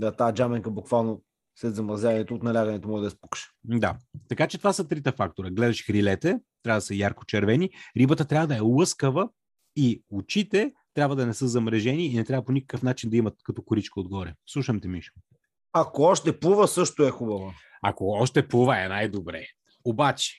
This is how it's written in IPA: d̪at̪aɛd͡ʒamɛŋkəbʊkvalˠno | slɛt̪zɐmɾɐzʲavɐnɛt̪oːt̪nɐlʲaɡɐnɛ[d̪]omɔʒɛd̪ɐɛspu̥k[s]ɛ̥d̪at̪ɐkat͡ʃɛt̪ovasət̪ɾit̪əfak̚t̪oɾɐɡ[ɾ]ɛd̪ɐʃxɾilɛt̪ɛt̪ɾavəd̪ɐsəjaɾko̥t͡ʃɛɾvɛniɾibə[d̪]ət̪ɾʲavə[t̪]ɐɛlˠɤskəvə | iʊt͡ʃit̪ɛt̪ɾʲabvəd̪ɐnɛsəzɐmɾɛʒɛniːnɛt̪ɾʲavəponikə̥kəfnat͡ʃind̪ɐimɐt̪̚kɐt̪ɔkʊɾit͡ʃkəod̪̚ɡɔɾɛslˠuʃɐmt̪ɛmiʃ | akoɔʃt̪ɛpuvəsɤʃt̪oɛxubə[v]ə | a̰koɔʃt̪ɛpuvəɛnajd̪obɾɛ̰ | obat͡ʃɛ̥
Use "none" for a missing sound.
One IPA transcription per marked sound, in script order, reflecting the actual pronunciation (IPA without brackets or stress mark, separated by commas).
t̪, ʃ, l, t̪, d̪, v